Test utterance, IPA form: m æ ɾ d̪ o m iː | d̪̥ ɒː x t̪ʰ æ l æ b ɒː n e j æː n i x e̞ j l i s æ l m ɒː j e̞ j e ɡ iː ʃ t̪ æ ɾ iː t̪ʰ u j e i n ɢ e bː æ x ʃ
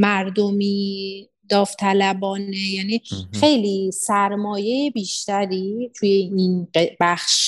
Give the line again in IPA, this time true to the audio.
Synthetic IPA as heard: m æ ɾ d̪ o m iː | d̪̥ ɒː f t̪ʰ æ l æ b ɒː n e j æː n i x e̞ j l i s æ ɾ m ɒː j e̞ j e b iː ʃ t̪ æ ɾ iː t̪ʰ u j e i n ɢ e b æ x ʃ